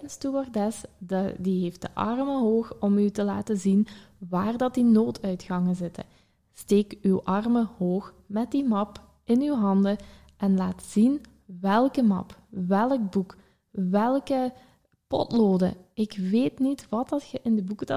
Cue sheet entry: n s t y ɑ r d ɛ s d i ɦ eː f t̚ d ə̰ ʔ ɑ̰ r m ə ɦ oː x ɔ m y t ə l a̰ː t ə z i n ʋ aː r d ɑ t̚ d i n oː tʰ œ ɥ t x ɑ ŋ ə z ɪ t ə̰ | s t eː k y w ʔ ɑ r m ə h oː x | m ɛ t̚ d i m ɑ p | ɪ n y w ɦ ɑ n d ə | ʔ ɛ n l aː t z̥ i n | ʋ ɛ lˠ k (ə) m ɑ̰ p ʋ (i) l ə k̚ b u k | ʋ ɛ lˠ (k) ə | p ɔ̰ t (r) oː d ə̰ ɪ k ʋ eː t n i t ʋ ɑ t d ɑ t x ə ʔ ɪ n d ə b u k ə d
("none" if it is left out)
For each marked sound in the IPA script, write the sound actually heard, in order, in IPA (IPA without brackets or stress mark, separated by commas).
ə, ɛ, k, l